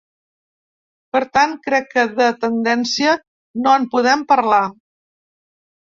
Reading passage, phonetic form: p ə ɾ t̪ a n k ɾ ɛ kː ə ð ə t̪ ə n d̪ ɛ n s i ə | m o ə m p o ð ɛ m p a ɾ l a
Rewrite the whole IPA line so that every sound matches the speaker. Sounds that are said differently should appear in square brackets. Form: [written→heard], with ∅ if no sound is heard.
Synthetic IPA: p ə ɾ t̪ a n k ɾ ɛ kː ə ð ə t̪ ə n d̪ ɛ n s i ə | [m→n] o ə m p [o→u] ð ɛ m p [a→ə] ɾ l a